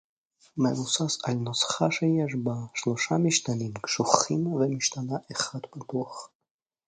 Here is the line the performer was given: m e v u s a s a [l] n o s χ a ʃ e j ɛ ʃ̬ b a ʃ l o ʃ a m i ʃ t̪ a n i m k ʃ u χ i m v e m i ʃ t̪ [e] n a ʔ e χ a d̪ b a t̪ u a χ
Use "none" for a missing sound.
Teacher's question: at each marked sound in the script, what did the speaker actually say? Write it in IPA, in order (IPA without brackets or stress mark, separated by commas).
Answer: l, a